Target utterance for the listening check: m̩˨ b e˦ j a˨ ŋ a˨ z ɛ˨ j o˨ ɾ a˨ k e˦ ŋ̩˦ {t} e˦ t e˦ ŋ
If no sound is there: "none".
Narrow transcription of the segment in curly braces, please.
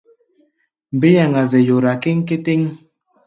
k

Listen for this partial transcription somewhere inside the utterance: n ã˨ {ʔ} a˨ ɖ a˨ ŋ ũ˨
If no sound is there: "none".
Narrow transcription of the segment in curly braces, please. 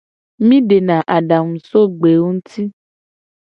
ʔ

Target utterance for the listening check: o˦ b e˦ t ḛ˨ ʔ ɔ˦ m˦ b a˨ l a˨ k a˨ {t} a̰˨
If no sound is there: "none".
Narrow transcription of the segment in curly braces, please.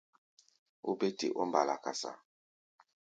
s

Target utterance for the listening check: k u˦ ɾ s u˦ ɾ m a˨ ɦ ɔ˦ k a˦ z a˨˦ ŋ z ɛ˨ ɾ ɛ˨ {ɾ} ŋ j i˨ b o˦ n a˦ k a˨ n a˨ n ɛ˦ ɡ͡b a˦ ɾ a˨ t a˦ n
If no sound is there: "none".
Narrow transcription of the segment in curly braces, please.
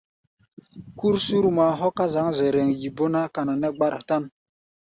none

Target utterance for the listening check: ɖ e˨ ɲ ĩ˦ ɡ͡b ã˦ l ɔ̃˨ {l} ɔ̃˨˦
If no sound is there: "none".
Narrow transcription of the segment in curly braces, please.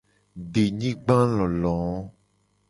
l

